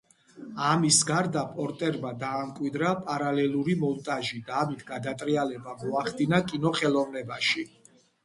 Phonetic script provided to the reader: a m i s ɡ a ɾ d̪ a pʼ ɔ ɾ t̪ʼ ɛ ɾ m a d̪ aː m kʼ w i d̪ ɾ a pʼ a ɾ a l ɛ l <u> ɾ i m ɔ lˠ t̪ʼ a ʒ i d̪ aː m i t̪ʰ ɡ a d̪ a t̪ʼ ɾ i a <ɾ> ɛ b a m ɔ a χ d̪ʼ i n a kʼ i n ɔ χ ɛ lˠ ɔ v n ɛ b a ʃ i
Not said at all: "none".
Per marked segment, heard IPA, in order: u, l

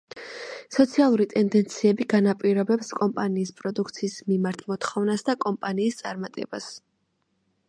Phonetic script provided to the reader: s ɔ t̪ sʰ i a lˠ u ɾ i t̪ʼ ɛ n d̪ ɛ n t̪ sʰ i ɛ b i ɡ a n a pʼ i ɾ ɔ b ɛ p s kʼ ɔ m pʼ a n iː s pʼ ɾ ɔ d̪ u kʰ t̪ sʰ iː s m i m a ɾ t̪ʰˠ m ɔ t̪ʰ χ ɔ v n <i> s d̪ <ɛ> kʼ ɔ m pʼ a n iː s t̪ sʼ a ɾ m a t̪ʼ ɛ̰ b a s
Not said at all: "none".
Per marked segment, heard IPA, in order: a, a

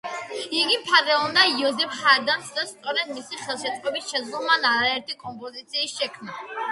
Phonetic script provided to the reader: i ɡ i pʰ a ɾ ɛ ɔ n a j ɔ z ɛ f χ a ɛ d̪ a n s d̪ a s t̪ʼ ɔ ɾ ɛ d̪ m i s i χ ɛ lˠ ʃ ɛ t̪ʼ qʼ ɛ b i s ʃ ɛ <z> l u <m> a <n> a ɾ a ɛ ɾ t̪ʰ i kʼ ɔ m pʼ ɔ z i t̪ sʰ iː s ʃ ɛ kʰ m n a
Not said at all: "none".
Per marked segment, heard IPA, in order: z, m, n

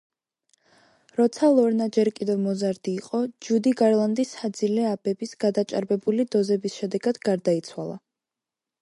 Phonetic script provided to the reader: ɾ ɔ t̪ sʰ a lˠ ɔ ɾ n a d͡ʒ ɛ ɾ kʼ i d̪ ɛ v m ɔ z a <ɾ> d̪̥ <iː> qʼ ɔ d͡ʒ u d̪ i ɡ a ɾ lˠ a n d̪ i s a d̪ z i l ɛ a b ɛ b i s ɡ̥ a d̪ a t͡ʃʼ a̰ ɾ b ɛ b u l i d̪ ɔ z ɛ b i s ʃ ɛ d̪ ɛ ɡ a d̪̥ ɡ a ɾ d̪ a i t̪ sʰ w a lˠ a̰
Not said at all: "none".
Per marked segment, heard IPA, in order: ɾ, iː

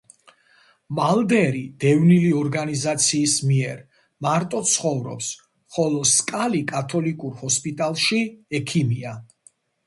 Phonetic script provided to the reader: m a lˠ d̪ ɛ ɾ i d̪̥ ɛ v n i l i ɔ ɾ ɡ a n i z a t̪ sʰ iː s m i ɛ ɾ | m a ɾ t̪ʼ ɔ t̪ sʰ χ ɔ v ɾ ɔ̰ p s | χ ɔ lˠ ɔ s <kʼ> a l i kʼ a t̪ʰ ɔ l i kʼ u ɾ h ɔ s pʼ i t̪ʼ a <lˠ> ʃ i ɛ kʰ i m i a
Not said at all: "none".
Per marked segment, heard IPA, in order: kʼ, lˠ

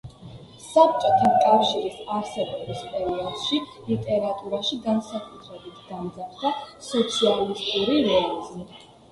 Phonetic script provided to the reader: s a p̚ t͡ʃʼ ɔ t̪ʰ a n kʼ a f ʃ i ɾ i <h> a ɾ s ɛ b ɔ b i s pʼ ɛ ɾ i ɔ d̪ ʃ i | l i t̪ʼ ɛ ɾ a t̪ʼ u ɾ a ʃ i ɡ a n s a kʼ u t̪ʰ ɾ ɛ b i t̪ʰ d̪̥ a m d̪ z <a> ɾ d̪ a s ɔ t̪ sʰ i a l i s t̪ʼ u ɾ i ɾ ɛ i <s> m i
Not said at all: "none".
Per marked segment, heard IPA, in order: s, a, z

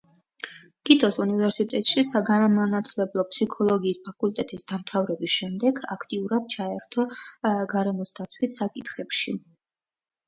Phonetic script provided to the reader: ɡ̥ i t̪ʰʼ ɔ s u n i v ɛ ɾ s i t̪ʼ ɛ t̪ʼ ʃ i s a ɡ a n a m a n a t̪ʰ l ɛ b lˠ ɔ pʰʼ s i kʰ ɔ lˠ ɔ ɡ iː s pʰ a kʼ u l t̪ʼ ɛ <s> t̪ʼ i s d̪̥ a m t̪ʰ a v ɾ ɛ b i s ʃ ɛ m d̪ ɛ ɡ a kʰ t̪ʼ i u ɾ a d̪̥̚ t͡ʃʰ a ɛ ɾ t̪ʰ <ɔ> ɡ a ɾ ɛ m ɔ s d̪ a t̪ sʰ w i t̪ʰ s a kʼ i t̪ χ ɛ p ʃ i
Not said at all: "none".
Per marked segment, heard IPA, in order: none, ɔ

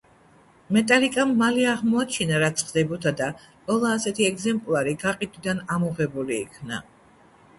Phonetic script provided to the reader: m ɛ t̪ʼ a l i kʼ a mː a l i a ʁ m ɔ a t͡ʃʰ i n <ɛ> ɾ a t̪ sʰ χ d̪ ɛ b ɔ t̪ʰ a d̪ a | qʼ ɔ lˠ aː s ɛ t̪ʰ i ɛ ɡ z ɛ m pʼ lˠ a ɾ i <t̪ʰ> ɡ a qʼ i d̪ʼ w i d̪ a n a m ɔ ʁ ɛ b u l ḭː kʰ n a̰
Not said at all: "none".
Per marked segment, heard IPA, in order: a, none

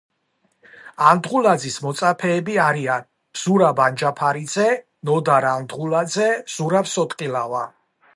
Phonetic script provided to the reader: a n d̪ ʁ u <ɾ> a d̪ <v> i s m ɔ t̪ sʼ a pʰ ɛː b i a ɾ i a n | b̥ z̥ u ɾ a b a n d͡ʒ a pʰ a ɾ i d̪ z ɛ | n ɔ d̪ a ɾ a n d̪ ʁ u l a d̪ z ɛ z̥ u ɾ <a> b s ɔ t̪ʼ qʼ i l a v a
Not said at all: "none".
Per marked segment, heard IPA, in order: l, z, a

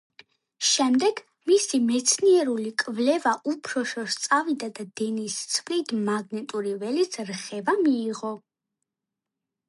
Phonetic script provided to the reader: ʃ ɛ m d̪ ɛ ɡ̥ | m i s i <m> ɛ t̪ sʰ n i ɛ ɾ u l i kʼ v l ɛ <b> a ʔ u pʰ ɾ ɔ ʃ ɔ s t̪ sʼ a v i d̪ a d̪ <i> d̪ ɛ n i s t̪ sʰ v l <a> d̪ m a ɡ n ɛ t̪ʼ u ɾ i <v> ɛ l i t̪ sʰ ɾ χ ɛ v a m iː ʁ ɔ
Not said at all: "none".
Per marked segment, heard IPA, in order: m, v, a, i, v

